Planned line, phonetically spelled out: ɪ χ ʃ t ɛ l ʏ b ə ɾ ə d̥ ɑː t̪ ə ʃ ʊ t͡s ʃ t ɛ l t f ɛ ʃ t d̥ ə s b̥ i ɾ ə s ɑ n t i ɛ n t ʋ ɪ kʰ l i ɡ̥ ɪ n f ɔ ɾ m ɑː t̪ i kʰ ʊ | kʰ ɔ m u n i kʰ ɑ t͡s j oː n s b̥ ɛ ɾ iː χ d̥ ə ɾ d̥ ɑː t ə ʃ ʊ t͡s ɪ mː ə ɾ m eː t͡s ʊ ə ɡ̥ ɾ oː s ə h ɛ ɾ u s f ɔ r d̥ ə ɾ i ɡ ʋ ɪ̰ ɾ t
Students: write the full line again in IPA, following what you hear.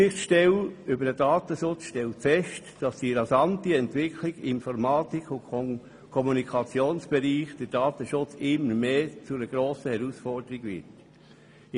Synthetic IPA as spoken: ɪ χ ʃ t ɛ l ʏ b ə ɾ ə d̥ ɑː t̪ ə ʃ ʊ t͡s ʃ t ɛ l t f ɛ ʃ t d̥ ɑ s d̥ i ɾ ɑ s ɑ n t i ɛ n t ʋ ɪ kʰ l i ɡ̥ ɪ n f ɔ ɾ m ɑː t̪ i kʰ ʊ | kʰ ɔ m u n i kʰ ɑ t͡s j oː n s b̥ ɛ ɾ iː χ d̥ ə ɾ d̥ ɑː t ə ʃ ʊ t͡s ɪ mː ə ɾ m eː t͡s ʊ ə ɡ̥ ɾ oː s ə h ɛ ɾ u s f ɔ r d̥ ə ɾ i ɡ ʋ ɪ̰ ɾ t